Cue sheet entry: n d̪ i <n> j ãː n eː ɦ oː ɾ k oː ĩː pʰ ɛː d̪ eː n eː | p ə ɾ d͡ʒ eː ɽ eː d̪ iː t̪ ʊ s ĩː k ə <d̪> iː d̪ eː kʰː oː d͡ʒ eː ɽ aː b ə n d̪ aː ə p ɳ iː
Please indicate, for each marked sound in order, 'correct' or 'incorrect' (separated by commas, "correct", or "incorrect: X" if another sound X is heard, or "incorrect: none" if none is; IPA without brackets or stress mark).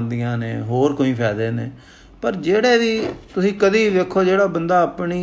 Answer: incorrect: none, correct